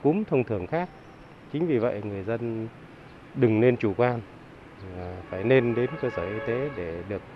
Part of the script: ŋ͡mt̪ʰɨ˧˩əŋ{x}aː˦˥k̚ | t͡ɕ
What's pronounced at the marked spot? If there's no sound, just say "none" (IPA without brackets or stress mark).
x